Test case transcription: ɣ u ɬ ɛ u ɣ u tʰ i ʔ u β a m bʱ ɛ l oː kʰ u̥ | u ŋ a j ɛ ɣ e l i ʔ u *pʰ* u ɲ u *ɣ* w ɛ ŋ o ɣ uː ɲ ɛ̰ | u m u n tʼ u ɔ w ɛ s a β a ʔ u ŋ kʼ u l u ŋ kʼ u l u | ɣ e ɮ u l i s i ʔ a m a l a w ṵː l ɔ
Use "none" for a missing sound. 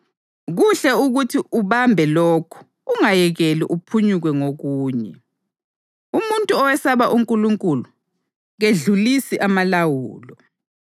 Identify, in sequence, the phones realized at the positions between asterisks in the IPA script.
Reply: pʰ, ɣ

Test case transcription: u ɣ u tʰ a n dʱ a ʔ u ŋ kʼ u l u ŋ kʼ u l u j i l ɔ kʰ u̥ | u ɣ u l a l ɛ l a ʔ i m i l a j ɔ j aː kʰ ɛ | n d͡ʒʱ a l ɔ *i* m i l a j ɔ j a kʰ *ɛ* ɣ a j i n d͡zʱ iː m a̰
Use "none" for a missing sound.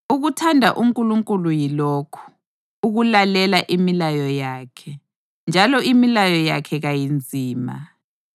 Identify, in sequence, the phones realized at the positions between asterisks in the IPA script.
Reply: i, ɛ

